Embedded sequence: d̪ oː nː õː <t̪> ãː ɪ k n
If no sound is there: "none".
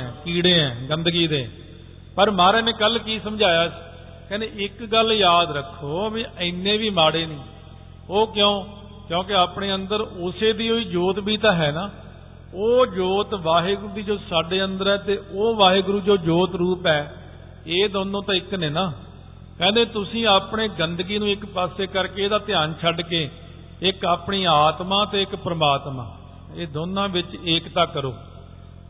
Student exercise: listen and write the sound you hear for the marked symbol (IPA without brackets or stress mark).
t̪